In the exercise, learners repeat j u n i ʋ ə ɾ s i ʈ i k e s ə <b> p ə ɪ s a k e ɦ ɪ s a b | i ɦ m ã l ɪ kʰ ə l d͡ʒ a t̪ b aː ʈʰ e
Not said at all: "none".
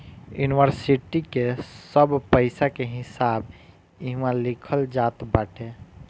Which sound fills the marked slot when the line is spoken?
b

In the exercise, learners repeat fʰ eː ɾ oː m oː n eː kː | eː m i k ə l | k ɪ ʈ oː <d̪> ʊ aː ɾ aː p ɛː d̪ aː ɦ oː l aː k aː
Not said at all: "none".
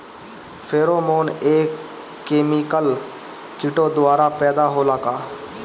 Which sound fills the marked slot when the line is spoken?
d̪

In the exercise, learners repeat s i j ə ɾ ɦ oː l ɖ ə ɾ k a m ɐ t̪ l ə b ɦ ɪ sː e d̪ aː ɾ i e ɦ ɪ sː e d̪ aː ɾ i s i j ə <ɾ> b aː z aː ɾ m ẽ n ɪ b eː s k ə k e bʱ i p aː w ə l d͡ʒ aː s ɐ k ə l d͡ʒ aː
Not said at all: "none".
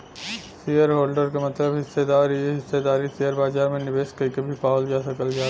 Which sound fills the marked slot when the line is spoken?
ɾ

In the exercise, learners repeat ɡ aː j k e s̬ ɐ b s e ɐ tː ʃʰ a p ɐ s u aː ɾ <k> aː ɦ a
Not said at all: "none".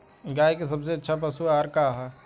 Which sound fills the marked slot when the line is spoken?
k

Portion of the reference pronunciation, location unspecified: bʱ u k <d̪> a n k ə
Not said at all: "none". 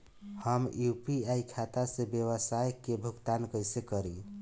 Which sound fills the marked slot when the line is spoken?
t̪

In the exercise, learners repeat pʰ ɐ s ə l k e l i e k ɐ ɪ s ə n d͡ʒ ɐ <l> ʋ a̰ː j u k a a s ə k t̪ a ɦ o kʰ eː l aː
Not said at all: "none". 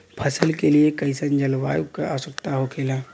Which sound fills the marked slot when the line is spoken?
l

